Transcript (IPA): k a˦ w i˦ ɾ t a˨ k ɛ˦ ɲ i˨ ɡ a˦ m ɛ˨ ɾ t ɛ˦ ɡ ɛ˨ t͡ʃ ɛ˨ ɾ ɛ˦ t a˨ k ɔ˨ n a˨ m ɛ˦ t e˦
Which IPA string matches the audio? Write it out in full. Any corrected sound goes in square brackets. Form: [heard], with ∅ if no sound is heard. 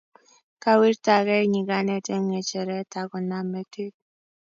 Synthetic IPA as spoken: k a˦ w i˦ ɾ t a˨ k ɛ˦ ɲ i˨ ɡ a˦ [n] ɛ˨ [∅] t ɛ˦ [ŋ] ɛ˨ t͡ʃ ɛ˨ ɾ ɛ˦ t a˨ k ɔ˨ n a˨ m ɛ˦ t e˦